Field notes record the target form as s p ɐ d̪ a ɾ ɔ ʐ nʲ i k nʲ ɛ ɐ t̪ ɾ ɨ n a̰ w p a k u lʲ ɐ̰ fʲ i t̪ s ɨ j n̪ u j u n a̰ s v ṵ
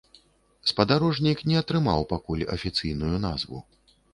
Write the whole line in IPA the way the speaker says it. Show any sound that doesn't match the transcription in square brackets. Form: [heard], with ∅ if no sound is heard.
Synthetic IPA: s p ɐ d̪ a ɾ ɔ ʐ nʲ i k nʲ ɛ ɐ t̪ ɾ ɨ [m] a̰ w p a k u lʲ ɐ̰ fʲ i t̪ s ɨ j n̪ u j u n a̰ [z] v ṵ